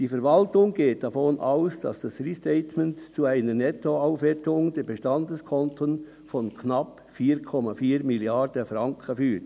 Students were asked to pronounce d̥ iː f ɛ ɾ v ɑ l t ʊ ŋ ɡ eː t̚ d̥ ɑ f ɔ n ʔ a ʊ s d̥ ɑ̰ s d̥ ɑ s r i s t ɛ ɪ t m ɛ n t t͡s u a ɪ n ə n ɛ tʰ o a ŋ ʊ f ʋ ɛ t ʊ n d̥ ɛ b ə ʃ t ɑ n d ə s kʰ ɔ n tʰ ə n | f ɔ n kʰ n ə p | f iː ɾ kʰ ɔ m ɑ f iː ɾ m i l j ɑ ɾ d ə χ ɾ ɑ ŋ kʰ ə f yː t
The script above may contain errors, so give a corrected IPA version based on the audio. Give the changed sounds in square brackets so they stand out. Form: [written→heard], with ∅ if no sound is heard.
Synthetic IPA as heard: d̥ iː f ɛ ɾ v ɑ l t ʊ ŋ ɡ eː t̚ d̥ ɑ f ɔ n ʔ a ʊ s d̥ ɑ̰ s d̥ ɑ s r i s t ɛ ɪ t m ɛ n t t͡s u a ɪ n ə n ɛ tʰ o a [ŋ→∅] ʊ f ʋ ɛ t ʊ [n→ŋ] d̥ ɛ b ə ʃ t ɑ n d ə s kʰ ɔ n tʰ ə n | f ɔ n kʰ n [ə→ɑ] p | f iː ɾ kʰ ɔ m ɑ f iː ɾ m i l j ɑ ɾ d ə [χ→f] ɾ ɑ ŋ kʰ ə f yː t